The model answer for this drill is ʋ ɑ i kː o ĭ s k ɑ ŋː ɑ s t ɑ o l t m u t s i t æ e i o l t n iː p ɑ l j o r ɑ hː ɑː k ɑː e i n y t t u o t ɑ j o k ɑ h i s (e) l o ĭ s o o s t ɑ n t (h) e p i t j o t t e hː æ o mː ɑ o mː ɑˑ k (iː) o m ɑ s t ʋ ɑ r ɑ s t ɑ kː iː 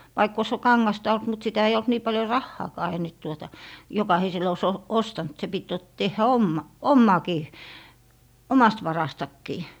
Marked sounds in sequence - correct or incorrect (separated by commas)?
correct, incorrect, correct